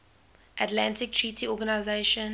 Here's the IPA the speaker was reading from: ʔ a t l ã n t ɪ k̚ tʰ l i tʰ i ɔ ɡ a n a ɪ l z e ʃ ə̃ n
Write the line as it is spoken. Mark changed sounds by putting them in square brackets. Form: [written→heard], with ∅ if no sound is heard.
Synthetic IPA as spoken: ʔ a t l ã n t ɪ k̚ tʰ [l→ɹ] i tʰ i ɔ ɡ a n a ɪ [l→∅] z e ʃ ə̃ n

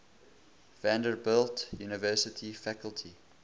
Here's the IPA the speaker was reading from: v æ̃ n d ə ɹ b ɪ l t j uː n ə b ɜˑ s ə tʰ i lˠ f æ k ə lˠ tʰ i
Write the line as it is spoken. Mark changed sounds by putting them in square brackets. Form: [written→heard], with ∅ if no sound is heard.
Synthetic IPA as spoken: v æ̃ n d ə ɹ b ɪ l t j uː n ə [b→v] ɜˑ s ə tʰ i [lˠ→∅] f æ k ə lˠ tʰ i

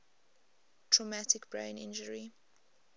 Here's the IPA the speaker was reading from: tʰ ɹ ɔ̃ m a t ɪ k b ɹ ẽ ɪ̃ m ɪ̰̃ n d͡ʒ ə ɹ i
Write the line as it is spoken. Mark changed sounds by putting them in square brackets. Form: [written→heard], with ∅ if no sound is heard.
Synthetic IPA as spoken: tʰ ɹ [ɔ̃→ɔ] m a t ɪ k b ɹ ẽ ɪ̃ [m→n] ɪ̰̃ n d͡ʒ ə ɹ i

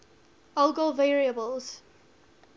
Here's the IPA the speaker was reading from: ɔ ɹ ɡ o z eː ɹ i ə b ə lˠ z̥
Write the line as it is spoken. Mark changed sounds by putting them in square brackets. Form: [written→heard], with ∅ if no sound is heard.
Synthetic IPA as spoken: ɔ [ɹ→l] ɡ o [z→v] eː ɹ i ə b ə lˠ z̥

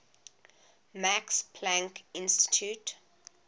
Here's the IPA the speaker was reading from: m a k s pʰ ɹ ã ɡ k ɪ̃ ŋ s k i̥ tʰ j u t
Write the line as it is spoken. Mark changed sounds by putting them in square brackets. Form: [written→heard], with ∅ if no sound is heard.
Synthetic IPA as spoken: m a k s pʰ [ɹ→l] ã [ɡ→ŋ] k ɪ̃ [ŋ→n] s [k→t] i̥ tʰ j u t

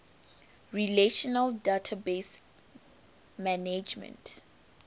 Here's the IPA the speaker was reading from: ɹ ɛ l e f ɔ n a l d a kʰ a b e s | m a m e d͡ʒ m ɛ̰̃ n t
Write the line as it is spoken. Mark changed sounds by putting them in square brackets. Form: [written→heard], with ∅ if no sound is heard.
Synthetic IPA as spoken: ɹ [ɛ→i] l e [f→ʃ] ɔ n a l d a [kʰ→tʰ] a b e s | m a [m→n] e d͡ʒ m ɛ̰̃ n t

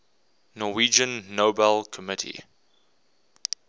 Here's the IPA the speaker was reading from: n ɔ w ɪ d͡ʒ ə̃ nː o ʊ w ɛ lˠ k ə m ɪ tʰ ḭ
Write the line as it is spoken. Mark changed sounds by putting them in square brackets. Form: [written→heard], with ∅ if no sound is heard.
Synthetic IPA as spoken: n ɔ w [ɪ→i] d͡ʒ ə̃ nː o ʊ [w→b] ɛ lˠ [k→kʰ] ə m ɪ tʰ ḭ

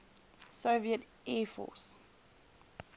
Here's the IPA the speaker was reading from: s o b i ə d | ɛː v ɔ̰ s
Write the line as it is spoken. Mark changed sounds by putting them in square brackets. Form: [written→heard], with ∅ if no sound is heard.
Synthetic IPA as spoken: s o [b→v] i ə [d→t] | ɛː [v→f] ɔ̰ s

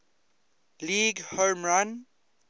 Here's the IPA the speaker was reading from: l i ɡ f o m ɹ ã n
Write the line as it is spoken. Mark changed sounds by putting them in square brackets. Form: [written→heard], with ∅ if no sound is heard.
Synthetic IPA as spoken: l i ɡ [f→h] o m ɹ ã n

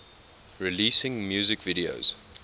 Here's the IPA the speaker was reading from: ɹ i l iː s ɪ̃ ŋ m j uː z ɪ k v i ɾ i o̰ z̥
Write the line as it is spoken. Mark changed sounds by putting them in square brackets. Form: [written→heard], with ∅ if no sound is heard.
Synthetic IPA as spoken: ɹ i l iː s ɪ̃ ŋ m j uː z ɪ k v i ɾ i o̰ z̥

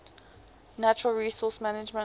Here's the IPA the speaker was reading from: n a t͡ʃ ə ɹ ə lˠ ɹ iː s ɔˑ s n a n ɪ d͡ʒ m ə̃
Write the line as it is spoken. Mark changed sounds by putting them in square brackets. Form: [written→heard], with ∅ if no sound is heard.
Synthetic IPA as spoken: n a t͡ʃ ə ɹ ə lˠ ɹ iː s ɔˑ s [n→m] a n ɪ d͡ʒ m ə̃

